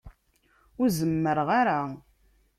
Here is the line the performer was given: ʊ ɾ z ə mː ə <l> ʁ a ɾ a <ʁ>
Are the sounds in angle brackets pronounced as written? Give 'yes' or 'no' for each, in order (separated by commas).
no, no